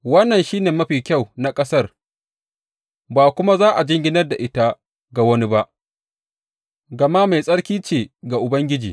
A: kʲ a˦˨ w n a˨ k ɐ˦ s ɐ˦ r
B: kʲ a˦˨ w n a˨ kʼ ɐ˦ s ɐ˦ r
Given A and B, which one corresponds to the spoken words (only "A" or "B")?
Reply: B